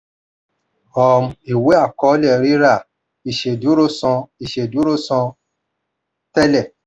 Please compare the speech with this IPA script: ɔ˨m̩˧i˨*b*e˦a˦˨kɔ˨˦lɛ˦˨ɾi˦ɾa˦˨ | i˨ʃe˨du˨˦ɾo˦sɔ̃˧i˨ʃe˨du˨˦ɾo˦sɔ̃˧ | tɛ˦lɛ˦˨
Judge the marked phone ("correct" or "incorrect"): incorrect